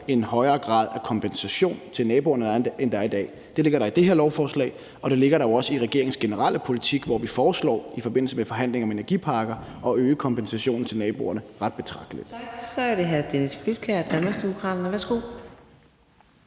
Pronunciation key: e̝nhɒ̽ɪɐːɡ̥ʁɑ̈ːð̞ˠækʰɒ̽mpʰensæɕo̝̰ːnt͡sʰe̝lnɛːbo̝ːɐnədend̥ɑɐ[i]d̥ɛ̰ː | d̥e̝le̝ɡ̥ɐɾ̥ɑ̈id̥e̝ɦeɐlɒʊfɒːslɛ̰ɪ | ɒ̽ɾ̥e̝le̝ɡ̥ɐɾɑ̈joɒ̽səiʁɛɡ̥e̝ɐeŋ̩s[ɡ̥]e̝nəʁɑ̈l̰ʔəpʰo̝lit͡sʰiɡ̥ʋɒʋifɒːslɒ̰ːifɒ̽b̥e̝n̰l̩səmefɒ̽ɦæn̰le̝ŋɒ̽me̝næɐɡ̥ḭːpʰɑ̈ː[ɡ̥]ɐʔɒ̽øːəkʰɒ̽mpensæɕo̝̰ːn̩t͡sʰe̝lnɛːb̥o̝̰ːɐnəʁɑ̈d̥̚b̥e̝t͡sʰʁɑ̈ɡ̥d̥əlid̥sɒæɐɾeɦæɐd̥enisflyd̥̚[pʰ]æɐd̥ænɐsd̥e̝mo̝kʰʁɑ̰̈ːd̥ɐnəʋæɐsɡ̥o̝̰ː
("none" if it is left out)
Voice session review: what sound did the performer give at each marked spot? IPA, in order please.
i, ɡ̥, ɡ̥, kʰ

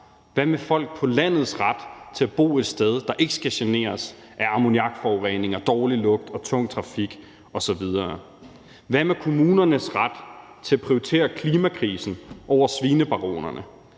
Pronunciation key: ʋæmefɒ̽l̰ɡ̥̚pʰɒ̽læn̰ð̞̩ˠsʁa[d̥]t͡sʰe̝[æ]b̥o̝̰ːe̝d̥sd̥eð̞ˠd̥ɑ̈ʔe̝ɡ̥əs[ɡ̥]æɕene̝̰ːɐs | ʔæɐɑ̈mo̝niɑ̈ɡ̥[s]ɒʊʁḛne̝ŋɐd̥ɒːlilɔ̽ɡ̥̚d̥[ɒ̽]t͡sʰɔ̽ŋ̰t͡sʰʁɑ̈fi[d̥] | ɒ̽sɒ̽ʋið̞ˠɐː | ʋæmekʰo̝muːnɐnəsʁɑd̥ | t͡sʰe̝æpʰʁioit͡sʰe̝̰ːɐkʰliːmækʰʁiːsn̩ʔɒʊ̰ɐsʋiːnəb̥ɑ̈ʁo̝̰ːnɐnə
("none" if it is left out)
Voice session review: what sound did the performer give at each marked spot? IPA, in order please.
d̥, æ, ɡ̥, f, ɒ̽, ɡ̥

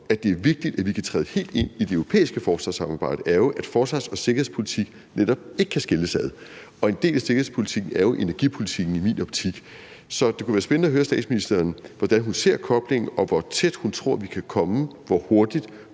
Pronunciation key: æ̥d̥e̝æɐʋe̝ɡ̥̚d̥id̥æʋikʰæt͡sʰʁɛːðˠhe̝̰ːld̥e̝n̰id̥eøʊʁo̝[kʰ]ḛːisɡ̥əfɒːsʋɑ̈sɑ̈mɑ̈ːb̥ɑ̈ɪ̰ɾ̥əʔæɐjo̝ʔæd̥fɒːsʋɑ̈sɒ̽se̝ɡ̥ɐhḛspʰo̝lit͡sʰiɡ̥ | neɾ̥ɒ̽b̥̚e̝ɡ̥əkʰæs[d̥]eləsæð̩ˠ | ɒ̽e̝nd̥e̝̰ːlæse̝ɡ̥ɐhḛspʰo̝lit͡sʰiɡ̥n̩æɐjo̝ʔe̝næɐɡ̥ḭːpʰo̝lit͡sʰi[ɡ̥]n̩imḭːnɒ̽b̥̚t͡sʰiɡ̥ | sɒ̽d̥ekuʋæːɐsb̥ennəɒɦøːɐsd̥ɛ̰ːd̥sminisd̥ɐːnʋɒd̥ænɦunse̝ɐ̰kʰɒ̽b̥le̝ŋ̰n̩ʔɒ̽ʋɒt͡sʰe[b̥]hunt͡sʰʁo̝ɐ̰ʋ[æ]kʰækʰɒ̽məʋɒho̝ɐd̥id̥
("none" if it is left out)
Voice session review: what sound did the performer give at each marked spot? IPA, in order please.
pʰ, ɡ̥, ɡ̥, d̥, i

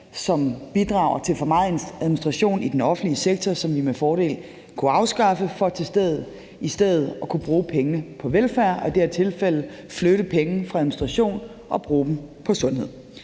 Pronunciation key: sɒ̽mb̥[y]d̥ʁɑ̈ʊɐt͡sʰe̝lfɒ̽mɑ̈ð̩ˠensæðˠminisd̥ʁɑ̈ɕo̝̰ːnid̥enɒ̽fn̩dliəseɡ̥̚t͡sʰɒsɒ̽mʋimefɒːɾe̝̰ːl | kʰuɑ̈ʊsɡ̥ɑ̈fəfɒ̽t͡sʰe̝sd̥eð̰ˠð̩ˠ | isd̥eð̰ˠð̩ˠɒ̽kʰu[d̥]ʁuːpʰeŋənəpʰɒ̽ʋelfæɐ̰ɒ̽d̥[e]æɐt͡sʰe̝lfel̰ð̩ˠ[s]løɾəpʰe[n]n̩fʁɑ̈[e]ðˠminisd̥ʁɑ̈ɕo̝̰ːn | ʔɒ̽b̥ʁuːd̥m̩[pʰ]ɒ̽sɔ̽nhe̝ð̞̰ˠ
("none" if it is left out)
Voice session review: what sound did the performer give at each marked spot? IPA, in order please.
i, b̥, e, f, ŋ, æ, pʰ

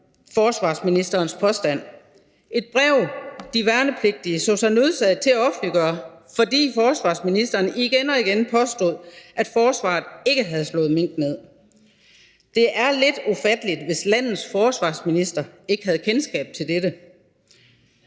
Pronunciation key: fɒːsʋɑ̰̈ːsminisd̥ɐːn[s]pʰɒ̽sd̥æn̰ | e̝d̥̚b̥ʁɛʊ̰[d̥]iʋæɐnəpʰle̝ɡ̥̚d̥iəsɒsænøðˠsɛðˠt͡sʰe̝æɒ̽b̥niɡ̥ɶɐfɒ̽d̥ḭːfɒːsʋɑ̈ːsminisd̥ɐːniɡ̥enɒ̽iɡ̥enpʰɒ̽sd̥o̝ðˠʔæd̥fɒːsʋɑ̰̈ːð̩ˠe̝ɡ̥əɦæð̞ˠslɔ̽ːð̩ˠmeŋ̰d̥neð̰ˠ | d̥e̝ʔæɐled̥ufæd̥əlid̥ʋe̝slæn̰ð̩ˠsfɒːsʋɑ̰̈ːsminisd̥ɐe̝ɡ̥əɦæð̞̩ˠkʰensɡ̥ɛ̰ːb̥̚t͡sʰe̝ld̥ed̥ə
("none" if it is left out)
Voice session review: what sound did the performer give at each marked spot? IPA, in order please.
s, d̥

